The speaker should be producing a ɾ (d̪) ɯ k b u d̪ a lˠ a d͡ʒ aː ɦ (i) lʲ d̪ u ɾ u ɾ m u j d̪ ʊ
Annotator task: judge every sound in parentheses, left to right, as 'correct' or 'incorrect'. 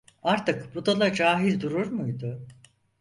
incorrect: t̪, correct

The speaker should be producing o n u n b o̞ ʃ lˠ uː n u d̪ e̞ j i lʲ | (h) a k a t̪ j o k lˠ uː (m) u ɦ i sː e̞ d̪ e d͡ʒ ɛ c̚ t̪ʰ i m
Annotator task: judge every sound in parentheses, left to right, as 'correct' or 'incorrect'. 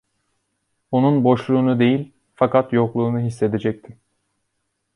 incorrect: f, incorrect: n

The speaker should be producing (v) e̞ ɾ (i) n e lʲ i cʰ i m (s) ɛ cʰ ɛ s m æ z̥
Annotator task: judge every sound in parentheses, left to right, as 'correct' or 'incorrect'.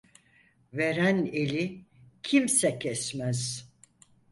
correct, incorrect: æ, correct

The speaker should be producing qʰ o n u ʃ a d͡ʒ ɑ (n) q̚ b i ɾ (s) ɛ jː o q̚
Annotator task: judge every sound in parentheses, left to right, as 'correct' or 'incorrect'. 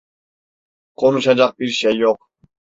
incorrect: none, incorrect: ʃ

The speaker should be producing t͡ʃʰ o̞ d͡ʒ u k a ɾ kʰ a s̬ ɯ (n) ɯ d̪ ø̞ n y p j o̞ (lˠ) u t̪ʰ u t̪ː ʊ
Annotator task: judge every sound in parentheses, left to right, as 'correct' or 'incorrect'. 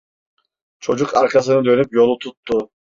correct, correct

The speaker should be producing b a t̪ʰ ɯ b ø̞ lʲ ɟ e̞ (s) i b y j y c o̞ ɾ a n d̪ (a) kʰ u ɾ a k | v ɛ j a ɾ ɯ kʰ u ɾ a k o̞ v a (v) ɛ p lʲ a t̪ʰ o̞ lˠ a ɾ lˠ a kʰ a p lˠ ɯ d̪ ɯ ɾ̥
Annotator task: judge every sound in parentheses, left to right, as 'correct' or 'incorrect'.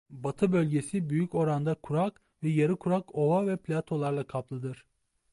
correct, correct, correct

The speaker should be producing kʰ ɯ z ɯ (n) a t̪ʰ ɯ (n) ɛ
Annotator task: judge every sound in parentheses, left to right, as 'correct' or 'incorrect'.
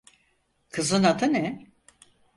correct, correct

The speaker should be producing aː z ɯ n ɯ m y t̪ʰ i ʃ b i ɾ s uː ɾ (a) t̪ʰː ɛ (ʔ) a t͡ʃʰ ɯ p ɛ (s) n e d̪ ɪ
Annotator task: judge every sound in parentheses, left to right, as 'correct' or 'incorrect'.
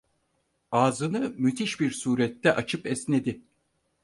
incorrect: ɛ, correct, correct

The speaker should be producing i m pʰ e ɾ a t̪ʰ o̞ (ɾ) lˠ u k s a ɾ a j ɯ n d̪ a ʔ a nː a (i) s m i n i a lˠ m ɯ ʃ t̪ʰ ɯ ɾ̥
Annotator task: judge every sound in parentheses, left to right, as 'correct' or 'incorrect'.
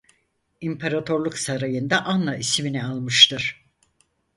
correct, correct

